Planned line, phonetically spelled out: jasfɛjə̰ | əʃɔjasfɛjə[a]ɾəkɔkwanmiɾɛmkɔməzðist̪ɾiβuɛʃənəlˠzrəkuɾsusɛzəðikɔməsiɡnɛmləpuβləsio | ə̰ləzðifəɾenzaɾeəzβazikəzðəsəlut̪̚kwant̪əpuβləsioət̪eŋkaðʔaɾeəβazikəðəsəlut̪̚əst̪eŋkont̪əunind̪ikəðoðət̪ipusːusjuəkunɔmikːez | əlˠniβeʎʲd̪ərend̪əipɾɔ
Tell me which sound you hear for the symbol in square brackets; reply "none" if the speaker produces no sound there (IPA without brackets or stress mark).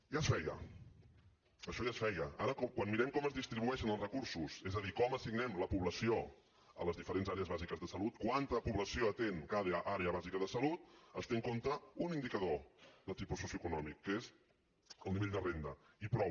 a